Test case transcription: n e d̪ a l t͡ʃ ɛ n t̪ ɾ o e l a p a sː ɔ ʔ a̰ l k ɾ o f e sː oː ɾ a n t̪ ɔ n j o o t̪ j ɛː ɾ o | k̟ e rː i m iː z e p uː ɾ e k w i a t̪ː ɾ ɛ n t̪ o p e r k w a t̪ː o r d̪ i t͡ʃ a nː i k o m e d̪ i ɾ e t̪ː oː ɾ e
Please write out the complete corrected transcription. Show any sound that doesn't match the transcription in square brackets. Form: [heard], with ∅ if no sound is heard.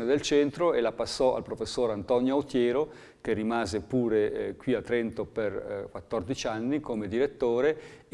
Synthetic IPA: n e d̪ [e] l t͡ʃ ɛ n t̪ ɾ o e l a p a sː ɔ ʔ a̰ l [p] ɾ o f e sː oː ɾ a n t̪ ɔ n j o o t̪ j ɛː ɾ o | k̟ e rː i m [aː] z e p uː ɾ e k w i a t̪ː ɾ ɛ n t̪ o p e r k w a t̪ː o r d̪ i t͡ʃ a nː i k o m e d̪ i ɾ e t̪ː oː ɾ e